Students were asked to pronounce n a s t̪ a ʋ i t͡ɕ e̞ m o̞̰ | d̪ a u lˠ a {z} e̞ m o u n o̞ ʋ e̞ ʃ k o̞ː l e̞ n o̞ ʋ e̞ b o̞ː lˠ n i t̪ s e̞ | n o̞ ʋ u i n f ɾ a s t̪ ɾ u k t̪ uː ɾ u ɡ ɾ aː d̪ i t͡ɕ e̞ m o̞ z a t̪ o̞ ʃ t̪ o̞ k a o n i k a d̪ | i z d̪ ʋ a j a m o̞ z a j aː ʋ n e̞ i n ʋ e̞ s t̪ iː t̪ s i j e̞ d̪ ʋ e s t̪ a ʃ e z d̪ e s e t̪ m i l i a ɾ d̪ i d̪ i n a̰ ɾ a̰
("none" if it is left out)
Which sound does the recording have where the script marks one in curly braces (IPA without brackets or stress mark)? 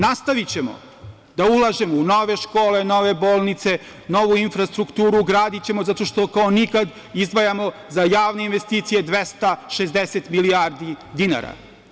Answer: ʒ